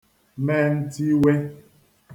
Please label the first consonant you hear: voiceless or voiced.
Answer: voiced